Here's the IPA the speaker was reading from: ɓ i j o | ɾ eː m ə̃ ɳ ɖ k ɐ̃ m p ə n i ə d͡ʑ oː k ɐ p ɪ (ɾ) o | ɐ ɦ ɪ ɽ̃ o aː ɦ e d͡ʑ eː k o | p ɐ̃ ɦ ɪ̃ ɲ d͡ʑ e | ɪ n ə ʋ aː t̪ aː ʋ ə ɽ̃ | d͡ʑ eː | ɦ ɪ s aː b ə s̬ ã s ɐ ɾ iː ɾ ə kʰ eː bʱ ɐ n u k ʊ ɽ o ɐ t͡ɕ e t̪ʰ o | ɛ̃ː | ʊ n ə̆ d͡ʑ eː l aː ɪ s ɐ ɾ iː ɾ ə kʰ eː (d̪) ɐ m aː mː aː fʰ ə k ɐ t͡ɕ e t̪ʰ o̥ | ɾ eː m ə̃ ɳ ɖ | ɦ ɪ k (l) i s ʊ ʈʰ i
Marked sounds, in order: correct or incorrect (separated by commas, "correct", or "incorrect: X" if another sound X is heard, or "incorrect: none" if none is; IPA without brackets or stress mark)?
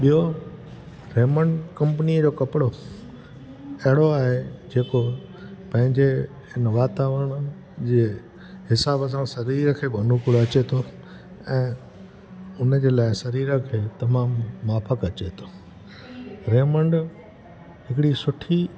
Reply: incorrect: ɽ, incorrect: t̪, incorrect: ɽ